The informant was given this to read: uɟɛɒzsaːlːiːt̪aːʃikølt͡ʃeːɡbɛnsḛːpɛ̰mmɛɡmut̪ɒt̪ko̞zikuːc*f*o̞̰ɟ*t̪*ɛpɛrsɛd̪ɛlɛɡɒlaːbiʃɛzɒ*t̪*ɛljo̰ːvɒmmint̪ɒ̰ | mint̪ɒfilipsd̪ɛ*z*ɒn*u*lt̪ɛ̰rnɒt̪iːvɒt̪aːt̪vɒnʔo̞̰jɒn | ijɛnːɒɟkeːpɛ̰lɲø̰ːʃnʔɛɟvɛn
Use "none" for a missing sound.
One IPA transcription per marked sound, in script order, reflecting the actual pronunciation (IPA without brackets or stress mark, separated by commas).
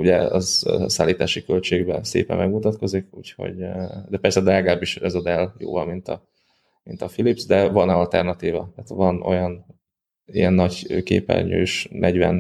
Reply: h, d̪, d̪, v, ɒ